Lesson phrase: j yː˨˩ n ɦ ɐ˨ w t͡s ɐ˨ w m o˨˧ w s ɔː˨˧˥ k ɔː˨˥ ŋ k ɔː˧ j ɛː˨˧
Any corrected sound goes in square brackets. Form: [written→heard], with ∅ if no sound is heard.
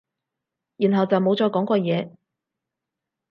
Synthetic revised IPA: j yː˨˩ n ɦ ɐ˨ w t͡s ɐ˨ w m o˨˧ w [s→t͡s] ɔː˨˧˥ k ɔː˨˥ ŋ k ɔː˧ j ɛː˨˧